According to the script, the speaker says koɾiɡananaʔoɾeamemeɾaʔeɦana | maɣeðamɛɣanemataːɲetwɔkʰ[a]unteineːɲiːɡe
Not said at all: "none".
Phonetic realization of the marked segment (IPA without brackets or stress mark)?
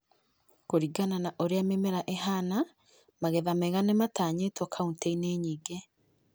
a